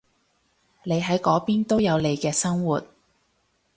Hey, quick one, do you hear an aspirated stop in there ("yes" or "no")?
no